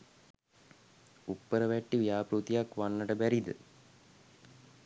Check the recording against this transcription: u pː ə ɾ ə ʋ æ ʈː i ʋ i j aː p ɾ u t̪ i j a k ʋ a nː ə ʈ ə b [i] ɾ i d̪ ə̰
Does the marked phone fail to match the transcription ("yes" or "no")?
yes